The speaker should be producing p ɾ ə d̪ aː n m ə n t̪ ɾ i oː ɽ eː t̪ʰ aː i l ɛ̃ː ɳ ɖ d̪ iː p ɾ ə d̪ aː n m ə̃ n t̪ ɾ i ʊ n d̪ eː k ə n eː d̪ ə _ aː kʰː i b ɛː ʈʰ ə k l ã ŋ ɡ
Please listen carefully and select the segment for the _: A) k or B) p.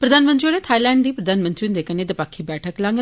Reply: B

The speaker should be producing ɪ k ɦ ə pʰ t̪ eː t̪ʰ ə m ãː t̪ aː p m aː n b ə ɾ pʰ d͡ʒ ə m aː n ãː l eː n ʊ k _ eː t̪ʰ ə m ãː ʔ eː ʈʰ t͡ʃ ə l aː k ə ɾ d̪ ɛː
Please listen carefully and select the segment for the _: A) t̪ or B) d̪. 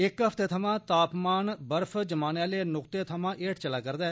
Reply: A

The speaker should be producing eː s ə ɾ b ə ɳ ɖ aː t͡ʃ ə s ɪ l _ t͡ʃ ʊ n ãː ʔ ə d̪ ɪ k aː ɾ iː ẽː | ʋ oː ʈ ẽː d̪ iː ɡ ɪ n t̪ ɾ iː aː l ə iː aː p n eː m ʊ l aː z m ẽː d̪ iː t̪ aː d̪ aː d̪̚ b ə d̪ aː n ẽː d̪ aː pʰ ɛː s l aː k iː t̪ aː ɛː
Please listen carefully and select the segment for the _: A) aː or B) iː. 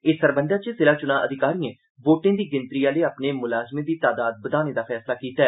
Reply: A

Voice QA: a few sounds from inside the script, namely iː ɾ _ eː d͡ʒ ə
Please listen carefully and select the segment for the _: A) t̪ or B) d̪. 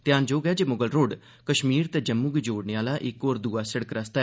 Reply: A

